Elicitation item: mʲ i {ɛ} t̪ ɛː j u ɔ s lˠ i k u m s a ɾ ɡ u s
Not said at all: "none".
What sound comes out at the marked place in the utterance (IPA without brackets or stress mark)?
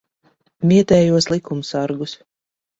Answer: ɛ